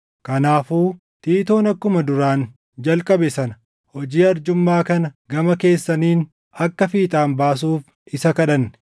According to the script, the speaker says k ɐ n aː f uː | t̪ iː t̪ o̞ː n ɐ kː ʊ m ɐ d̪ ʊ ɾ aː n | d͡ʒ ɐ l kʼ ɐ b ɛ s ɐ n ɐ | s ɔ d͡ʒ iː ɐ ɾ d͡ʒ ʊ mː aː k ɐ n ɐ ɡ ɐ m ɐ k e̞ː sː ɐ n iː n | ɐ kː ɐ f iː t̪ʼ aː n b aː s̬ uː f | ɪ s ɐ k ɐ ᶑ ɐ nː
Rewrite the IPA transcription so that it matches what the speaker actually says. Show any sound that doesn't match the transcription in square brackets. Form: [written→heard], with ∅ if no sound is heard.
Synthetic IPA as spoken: k ɐ n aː f uː | t̪ iː t̪ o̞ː n ɐ kː ʊ m ɐ d̪ ʊ ɾ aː n | d͡ʒ ɐ l kʼ ɐ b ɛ s ɐ n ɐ | [s→h] ɔ d͡ʒ iː ɐ ɾ d͡ʒ ʊ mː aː k ɐ n ɐ ɡ ɐ m ɐ k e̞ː sː ɐ n iː n | ɐ kː ɐ f iː t̪ʼ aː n b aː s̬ uː f | ɪ s ɐ k ɐ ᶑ ɐ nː

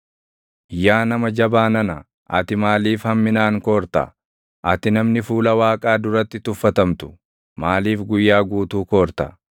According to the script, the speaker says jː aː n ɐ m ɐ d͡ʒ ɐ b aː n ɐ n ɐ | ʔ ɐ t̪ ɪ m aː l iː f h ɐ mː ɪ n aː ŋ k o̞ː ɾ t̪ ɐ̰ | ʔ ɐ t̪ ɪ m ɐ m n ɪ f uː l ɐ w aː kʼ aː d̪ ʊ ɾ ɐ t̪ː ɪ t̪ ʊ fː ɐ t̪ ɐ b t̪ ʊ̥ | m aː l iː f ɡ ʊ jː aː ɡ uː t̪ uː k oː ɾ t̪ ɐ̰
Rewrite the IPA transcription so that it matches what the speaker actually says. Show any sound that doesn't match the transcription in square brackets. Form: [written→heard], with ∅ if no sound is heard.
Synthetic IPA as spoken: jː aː n ɐ m ɐ d͡ʒ ɐ b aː n ɐ n ɐ | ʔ ɐ t̪ ɪ m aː l iː f h ɐ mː ɪ n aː ŋ k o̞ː ɾ t̪ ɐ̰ | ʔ ɐ t̪ ɪ [m→n] ɐ m n ɪ f uː l ɐ w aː kʼ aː d̪ ʊ ɾ ɐ t̪ː ɪ t̪ ʊ fː ɐ t̪ ɐ [b→m] t̪ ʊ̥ | m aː l iː f ɡ ʊ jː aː ɡ uː t̪ uː k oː ɾ t̪ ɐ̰

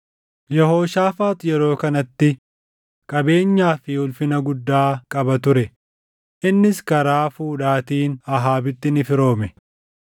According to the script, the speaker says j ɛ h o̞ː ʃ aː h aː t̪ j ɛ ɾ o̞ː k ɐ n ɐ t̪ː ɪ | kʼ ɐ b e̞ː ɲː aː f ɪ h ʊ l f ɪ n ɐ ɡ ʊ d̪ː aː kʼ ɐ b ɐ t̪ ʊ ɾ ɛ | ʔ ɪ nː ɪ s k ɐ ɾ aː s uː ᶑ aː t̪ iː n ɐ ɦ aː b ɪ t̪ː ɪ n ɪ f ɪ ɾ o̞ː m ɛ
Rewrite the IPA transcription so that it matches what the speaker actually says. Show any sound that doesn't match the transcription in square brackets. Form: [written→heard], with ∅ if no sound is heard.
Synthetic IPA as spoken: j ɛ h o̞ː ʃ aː [h→f] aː t̪ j ɛ ɾ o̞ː k ɐ n ɐ t̪ː ɪ | kʼ ɐ b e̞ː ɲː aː f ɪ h ʊ l f ɪ n ɐ ɡ ʊ d̪ː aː kʼ ɐ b ɐ t̪ ʊ ɾ ɛ | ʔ ɪ nː ɪ s k ɐ ɾ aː [s→f] uː ᶑ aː t̪ iː n ɐ ɦ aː b ɪ t̪ː ɪ n ɪ f ɪ ɾ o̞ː m ɛ

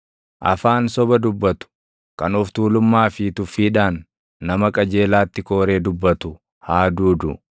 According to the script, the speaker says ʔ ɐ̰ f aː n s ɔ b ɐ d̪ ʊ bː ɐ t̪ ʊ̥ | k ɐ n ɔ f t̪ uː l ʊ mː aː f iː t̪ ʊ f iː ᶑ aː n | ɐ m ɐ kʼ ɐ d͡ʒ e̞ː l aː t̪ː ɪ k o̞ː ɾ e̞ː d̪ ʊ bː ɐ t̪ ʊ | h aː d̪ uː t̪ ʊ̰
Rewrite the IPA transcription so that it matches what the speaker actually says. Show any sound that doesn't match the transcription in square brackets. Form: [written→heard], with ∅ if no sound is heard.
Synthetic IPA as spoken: ʔ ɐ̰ f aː n s ɔ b ɐ d̪ ʊ bː ɐ t̪ ʊ̥ | k ɐ n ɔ f t̪ uː l ʊ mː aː f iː t̪ ʊ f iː ᶑ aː [n→nː] | ɐ m ɐ kʼ ɐ d͡ʒ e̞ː l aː t̪ː ɪ k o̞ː ɾ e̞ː d̪ ʊ bː ɐ t̪ ʊ | h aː d̪ uː [t̪→d̪] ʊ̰

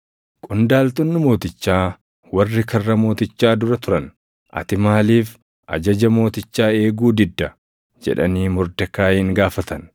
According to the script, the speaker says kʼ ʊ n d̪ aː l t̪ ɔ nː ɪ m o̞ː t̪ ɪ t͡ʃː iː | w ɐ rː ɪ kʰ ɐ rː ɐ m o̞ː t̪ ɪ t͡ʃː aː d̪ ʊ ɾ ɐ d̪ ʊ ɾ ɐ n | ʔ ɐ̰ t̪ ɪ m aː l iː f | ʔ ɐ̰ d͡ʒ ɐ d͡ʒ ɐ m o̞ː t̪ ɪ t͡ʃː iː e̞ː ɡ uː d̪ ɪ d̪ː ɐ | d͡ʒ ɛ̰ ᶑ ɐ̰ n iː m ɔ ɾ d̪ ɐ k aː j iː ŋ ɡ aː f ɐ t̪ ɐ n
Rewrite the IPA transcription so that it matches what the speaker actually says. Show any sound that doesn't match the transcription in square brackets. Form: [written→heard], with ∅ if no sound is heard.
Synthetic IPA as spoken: kʼ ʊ n d̪ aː l t̪ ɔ nː ɪ m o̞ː t̪ ɪ t͡ʃː [iː→aː] | w ɐ rː ɪ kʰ ɐ rː ɐ m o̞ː t̪ ɪ t͡ʃː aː d̪ ʊ ɾ ɐ [d̪→t̪] ʊ ɾ ɐ n | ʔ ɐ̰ t̪ ɪ m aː l iː f | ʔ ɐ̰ d͡ʒ ɐ d͡ʒ ɐ m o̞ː t̪ ɪ t͡ʃː [iː→aː] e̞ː ɡ uː d̪ ɪ d̪ː ɐ | d͡ʒ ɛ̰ ᶑ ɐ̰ n iː m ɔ ɾ d̪ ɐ k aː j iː ŋ ɡ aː f ɐ t̪ ɐ n

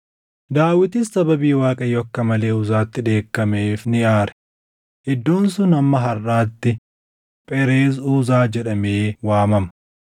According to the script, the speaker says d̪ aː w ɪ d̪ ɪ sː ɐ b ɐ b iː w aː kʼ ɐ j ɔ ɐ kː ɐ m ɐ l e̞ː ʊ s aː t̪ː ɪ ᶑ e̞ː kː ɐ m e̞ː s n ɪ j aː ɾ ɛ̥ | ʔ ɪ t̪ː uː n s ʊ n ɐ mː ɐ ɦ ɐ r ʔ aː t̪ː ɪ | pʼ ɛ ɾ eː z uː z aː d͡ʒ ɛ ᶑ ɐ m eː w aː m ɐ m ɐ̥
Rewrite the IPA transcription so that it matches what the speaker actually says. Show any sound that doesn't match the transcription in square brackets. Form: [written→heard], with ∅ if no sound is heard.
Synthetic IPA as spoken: d̪ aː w ɪ [d̪→t̪] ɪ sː ɐ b ɐ b iː w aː kʼ ɐ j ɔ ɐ kː ɐ m ɐ l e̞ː ʊ [s→z] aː t̪ː ɪ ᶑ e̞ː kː ɐ m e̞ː [s→f] n ɪ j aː ɾ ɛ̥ | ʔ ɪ [t̪ː→d̪ː] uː n s ʊ n ɐ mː ɐ ɦ ɐ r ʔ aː t̪ː ɪ | pʼ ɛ ɾ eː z uː z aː d͡ʒ ɛ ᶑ ɐ m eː w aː m ɐ m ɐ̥

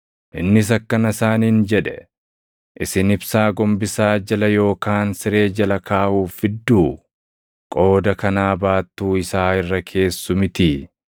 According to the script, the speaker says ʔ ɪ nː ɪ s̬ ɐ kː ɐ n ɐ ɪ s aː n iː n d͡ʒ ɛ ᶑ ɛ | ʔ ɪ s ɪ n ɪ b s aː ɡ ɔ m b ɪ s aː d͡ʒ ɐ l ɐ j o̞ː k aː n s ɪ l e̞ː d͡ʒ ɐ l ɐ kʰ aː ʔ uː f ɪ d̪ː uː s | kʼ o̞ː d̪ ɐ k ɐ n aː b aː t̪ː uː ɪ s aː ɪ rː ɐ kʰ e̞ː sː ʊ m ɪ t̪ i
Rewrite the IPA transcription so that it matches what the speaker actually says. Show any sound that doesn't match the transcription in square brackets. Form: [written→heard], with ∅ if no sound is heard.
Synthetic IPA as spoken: ʔ ɪ nː ɪ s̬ ɐ kː ɐ n ɐ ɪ s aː n iː n d͡ʒ ɛ ᶑ ɛ | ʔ ɪ s ɪ n ɪ b s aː ɡ ɔ m b ɪ s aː d͡ʒ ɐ l ɐ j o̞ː k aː n s ɪ [l→ɾ] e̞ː d͡ʒ ɐ l ɐ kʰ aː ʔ uː f ɪ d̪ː uː [s→∅] | kʼ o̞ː d̪ ɐ k ɐ n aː b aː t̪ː uː ɪ s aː ɪ rː ɐ kʰ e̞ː sː ʊ m ɪ t̪ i

